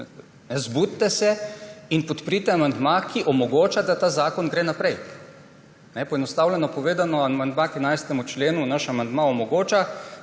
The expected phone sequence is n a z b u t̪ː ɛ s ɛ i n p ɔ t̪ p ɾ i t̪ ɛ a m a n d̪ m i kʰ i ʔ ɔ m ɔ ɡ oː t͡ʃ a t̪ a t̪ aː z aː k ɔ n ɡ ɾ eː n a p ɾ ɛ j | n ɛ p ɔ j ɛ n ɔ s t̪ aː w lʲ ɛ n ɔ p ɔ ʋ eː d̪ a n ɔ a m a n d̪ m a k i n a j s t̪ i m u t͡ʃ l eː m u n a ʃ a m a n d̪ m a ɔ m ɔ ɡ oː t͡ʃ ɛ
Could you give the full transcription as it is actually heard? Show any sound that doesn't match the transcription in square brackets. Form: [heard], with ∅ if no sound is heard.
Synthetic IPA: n [ɛ] z b u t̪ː ɛ s ɛ i n p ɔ t̪ p ɾ i t̪ ɛ a m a n d̪ m [a] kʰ i ʔ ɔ m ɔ ɡ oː t͡ʃ a [d̪] a t̪ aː z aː k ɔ n ɡ ɾ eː n a p ɾ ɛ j | n ɛ p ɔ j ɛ n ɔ s t̪ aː w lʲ ɛ n ɔ p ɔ ʋ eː d̪ a n ɔ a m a n d̪ m a k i n a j s t̪ [ɛ] m u t͡ʃ l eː [n] u n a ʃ a m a n d̪ m a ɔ m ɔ ɡ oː t͡ʃ [a]